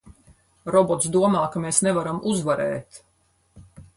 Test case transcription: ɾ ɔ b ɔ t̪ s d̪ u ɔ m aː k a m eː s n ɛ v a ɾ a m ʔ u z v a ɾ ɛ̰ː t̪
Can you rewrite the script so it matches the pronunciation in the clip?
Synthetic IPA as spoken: ɾ ɔ b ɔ t̪ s d̪ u ɔ m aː k a m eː s n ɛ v a ɾ a m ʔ u z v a ɾ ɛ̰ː t̪